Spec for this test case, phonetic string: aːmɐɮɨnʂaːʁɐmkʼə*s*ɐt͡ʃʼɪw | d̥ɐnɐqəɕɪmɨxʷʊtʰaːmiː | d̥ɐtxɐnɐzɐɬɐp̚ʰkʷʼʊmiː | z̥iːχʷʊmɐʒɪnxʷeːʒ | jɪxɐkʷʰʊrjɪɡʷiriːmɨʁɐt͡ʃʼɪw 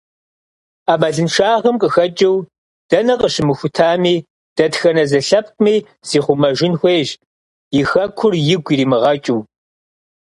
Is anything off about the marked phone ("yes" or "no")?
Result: yes